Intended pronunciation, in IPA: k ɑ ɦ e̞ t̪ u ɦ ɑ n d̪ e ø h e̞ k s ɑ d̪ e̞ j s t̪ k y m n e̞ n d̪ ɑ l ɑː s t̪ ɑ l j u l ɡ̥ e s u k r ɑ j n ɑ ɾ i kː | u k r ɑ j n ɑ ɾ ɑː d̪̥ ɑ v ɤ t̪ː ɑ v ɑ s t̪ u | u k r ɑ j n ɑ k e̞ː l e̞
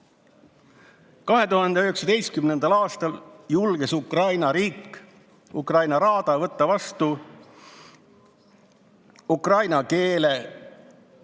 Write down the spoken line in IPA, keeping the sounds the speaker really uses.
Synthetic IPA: k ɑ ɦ e̞ t̪ u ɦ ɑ n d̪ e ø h e̞ k s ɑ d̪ e̞ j s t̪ k y m n e̞ n d̪ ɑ l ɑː s t̪ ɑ l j u l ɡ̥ e s u k r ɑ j n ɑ ɾ iː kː | u k r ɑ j n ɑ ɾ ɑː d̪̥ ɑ v ɤ t̪ː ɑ v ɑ s t̪ u | u k r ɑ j n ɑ k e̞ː l e̞

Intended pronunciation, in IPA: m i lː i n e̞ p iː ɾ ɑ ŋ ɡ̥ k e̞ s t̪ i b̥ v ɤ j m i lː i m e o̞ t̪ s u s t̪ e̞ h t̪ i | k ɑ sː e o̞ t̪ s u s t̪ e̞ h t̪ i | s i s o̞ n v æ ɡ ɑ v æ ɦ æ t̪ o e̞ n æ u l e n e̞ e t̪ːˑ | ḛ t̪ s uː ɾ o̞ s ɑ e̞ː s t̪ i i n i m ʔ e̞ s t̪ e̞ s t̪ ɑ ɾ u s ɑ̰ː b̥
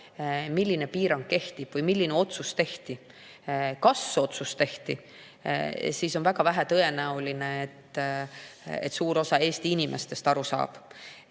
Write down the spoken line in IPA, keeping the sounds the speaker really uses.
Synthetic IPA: m i lː i n e̞ p iː ɾ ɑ ŋ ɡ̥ k e̞ h t̪ i b̥ v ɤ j m i lː i n e o̞ t̪ s u s t̪ e̞ h t̪ i | k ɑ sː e o̞ t̪ s u s t̪ e̞ h t̪ i | s i s o̞ n v æ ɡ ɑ v æ ɦ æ t̪ ɤ e̞ n æ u l i n e̞ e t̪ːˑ | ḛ t̪ s uː ɾ o̞ s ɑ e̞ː s t̪ i i n i m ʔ e̞ s t̪ e̞ s t̪ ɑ ɾ u s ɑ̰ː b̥

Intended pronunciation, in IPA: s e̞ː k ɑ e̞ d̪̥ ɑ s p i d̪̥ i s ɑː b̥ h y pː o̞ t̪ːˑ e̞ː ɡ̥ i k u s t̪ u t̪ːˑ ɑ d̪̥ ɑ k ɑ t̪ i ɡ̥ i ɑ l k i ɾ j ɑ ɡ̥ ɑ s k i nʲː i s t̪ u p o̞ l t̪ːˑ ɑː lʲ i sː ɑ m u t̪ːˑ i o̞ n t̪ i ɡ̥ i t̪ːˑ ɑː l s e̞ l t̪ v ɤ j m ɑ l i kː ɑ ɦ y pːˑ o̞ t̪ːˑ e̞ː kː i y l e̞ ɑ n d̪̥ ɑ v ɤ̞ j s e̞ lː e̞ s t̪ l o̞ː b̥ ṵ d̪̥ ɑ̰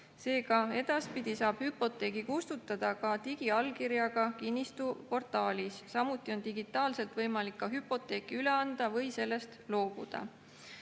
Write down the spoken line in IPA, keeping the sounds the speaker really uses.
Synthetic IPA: s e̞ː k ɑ e̞ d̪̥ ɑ s p i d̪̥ i s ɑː b̥ h y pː o̞ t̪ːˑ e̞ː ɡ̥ i k u s t̪ u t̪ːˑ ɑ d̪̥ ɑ k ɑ t̪ i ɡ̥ i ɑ l k i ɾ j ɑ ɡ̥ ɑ k i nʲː i s t̪ u p o̞ r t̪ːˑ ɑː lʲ i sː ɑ m u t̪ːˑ i o̞ n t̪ i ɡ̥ i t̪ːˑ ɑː l s e̞ l t̪ v ɤ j m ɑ l i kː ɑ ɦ y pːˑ o̞ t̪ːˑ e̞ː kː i y l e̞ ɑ n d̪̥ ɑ v ɤ̞ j s e̞ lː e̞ s t̪ l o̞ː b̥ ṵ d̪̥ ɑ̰

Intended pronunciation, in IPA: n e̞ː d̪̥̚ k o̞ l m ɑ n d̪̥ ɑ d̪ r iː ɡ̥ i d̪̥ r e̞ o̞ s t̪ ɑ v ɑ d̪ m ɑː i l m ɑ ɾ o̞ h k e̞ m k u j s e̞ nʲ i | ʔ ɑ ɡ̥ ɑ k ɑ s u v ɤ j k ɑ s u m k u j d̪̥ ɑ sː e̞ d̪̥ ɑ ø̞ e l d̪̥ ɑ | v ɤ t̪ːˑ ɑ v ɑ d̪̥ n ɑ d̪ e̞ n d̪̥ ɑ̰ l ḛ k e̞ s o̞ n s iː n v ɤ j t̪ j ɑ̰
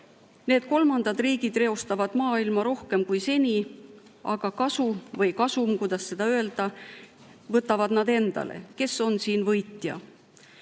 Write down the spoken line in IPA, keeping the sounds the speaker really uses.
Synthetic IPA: n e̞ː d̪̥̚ k o̞ l m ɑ n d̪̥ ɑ d̪ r iː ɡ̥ i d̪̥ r e̞ o̞ s t̪ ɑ v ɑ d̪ m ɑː i l m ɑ ɾ o̞ h k e̞ m k u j s e̞ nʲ i | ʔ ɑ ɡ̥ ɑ k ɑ s u v ɤ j k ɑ s u m k u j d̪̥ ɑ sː e̞ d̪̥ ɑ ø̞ e l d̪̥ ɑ | v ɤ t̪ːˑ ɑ v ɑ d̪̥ n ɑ d̪ e̞ n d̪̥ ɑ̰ l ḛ k e̞ s o̞ n s iː n v ɤ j t̪ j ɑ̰

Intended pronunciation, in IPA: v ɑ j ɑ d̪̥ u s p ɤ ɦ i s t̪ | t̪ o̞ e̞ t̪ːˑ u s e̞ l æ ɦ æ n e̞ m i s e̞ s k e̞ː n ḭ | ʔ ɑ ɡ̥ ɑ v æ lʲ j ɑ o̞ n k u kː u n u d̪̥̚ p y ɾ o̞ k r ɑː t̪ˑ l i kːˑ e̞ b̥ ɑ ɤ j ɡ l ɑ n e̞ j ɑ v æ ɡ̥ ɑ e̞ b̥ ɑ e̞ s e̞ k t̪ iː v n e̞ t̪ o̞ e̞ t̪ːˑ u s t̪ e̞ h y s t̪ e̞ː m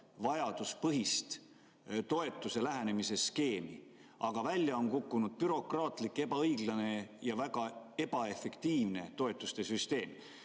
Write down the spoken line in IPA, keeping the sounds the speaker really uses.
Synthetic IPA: v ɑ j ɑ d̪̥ u s p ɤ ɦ i s t̪ | t̪ o̞ e̞ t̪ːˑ u s e̞ l æ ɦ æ n e̞ m i s e̞ s k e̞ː m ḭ | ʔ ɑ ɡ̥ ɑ v æ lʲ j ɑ o̞ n k u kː u n u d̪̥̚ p y ɾ o̞ k r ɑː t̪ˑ l i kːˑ e̞ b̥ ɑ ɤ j ɡ l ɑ n e̞ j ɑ v æ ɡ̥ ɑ e̞ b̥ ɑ e̞ f e̞ k t̪ iː v n e̞ t̪ o̞ e̞ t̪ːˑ u s t̪ e̞ s y s t̪ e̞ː m

